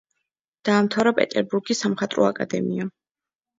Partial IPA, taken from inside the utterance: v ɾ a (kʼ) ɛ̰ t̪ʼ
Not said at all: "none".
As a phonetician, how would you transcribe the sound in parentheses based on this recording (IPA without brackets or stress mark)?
pʼ